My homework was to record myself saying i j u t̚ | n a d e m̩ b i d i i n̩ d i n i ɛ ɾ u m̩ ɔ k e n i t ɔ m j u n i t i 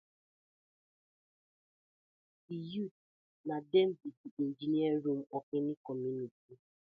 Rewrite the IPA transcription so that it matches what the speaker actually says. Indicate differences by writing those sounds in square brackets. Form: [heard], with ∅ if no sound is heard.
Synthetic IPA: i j u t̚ | n a d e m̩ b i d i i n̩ [d͡ʒ] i n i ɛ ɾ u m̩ ɔ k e n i [k] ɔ m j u n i t i